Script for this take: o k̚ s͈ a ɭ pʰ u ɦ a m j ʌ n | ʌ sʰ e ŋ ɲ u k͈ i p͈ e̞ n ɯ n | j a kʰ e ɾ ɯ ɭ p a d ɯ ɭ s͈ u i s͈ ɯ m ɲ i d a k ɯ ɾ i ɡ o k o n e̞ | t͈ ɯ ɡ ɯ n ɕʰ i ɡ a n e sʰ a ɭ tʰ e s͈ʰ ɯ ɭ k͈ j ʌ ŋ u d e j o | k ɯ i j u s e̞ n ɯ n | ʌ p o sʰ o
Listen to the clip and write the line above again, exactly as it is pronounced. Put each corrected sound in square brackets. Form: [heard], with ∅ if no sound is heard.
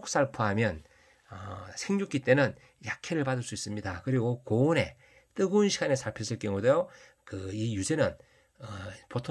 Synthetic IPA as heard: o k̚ s͈ a ɭ pʰ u ɦ a m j ʌ n | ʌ sʰ e ŋ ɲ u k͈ i [t͈] e̞ n ɯ n | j a kʰ e ɾ ɯ ɭ p a d ɯ ɭ s͈ u i s͈ ɯ m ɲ i d a k ɯ ɾ i ɡ o k o n e̞ | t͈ ɯ ɡ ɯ n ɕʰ i ɡ a n e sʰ a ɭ [pʰ] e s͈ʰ ɯ ɭ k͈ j ʌ ŋ u d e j o | k ɯ i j u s e̞ n ɯ n | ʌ p o [tʰ] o